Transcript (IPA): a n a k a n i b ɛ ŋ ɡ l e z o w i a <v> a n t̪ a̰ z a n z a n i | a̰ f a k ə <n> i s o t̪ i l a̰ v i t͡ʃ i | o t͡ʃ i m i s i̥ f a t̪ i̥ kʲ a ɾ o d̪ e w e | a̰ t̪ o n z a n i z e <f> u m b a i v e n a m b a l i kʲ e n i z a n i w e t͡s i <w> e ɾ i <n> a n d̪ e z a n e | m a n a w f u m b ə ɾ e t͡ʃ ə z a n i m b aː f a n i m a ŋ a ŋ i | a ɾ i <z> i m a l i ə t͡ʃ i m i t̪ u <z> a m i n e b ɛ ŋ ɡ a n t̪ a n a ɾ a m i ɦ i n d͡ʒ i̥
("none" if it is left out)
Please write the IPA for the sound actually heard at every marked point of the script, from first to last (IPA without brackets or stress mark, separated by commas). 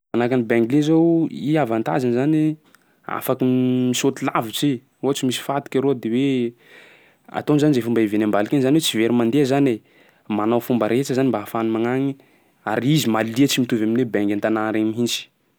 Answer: v, m, f, v, m, z, v